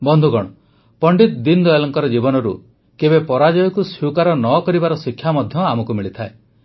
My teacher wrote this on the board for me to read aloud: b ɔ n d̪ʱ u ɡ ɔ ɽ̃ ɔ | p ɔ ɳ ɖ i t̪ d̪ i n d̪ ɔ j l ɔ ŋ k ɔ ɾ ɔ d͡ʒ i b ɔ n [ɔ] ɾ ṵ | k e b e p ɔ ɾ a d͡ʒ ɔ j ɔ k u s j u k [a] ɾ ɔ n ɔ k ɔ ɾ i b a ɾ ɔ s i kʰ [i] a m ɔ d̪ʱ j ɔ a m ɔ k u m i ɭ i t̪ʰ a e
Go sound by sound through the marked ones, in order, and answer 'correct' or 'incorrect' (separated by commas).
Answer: correct, correct, incorrect